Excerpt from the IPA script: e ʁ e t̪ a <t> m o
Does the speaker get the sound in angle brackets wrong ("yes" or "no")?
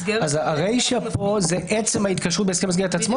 yes